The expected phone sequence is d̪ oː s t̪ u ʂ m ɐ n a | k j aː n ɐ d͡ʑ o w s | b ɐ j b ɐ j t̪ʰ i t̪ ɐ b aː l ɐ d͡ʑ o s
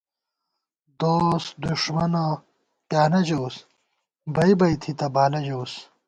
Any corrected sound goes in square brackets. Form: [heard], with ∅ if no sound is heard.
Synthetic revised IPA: d̪ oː s [d̪] u ʂ m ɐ n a | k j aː n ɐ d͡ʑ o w s | b ɐ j b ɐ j t̪ʰ i t̪ ɐ b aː l ɐ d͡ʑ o s

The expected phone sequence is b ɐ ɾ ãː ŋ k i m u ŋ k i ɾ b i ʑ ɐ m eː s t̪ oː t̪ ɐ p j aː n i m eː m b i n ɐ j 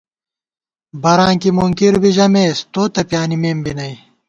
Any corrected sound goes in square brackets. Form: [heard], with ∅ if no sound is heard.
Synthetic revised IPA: b ɐ ɾ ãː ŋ k i m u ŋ k i ɾ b i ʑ ɐ m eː s t̪ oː t̪ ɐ p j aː n i m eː m b i n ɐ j

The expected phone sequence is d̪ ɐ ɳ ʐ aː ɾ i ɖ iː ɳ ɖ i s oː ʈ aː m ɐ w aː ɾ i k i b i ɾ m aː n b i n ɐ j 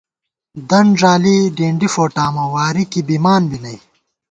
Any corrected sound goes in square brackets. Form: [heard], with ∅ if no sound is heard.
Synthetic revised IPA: d̪ ɐ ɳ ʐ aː [l] i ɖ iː ɳ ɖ i [f] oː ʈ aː m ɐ w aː ɾ i k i b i [∅] m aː n b i n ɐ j

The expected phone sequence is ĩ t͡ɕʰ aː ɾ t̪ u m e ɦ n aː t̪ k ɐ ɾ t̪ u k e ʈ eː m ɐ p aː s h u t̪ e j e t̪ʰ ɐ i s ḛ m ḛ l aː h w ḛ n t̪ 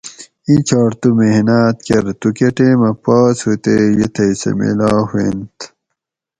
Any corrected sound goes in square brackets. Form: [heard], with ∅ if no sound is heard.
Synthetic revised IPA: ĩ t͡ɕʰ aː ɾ t̪ u m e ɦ n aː t̪ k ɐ ɾ t̪ u k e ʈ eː m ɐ p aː s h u t̪ e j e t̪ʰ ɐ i s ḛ m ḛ l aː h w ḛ n t̪

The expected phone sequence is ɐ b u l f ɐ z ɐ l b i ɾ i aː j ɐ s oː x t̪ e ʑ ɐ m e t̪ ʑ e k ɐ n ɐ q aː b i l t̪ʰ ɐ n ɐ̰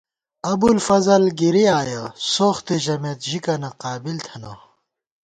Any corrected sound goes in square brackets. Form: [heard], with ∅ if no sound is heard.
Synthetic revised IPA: ɐ b u l f ɐ z ɐ l [ɡ] i ɾ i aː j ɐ s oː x t̪ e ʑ ɐ m e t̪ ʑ [i] k ɐ n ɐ q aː b i l t̪ʰ ɐ n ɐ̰

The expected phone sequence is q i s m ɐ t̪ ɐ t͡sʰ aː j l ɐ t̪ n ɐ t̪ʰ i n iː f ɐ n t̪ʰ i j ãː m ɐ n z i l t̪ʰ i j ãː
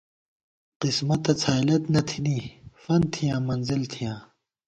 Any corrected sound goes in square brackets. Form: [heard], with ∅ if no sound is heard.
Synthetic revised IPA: q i s m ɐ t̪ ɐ t͡sʰ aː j l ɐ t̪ n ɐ t̪ʰ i n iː f ɐ n t̪ʰ i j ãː m ɐ n z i l t̪ʰ i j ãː

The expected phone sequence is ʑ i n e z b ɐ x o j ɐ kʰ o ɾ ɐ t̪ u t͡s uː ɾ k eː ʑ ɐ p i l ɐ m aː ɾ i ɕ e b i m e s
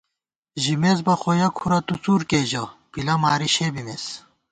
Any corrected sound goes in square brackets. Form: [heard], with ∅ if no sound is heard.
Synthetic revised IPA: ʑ i [m] e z b ɐ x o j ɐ kʰ [u] ɾ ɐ t̪ u t͡s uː ɾ k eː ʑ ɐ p i l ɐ m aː ɾ i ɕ e b i m e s

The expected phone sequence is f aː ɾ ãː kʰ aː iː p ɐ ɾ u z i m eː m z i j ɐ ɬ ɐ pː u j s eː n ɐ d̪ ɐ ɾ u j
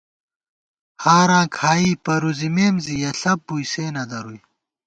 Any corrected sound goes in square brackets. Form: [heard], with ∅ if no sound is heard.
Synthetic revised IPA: [h] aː ɾ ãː kʰ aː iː p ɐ ɾ u z i m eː m z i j ɐ ɬ ɐ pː u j s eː n ɐ d̪ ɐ ɾ u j

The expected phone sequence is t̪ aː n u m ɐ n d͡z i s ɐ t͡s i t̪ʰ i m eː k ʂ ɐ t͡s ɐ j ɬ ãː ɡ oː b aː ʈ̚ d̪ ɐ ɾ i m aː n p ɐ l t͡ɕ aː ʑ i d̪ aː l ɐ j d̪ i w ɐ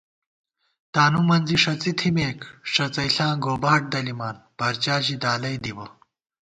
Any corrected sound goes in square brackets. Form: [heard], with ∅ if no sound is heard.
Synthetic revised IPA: t̪ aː n u m ɐ n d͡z i [ʂ] ɐ t͡s i t̪ʰ i m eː k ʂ ɐ t͡s ɐ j ɬ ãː ɡ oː b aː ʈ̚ d̪ ɐ [l] i m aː n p ɐ [ɾ] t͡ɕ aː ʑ i d̪ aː l ɐ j d̪ i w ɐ

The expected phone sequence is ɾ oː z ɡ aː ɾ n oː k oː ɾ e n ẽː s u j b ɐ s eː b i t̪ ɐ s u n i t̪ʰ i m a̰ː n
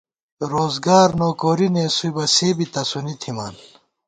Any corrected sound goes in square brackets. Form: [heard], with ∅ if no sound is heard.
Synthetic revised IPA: ɾ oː z ɡ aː ɾ n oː k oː ɾ [i] n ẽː s u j b ɐ s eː b i t̪ ɐ s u n i t̪ʰ i m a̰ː n

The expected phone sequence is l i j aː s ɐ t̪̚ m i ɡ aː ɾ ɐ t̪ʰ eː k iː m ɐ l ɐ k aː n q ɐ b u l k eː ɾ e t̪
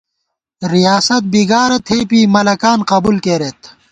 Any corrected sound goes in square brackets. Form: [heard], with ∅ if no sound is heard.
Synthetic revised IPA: [ɾ] i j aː s ɐ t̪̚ [b] i ɡ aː ɾ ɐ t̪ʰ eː [p] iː m ɐ l ɐ k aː n q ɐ b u l k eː ɾ e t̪

